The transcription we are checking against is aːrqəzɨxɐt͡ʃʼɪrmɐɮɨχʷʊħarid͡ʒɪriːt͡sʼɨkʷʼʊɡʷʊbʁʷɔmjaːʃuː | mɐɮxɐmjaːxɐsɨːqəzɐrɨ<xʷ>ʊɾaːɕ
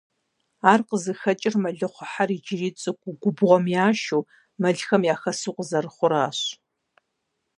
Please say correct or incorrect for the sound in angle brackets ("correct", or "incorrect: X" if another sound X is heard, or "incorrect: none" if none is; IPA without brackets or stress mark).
incorrect: χʷ